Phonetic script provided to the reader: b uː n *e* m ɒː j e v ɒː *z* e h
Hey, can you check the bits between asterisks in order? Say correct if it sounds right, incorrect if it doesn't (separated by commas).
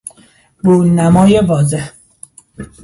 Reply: incorrect, correct